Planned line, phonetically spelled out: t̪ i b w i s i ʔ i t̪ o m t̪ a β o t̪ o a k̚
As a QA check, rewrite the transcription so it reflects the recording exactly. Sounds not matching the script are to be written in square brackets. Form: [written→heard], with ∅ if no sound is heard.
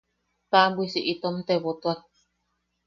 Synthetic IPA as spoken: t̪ [i→a] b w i s i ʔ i t̪ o m t̪ [a→e] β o t̪ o a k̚